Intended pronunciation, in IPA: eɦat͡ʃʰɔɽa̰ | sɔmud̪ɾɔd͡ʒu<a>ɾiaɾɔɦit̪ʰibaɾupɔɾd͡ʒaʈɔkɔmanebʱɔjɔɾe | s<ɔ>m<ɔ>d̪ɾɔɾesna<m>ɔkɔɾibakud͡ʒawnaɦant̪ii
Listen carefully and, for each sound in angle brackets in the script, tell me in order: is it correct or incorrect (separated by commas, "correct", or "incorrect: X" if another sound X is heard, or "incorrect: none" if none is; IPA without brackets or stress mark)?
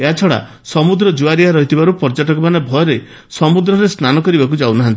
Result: correct, correct, incorrect: u, incorrect: n